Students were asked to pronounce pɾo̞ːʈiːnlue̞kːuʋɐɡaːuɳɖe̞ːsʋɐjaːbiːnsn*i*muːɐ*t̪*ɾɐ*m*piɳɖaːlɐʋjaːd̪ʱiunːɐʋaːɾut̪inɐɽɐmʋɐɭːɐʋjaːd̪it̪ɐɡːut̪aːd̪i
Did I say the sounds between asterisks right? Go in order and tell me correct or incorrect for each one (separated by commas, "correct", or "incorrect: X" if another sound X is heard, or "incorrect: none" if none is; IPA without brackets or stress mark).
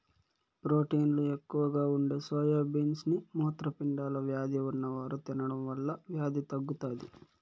correct, correct, incorrect: none